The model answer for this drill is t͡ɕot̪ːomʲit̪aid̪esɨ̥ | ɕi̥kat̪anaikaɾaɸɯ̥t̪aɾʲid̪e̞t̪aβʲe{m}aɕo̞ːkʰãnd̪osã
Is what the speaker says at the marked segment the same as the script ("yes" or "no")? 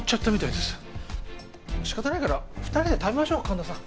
yes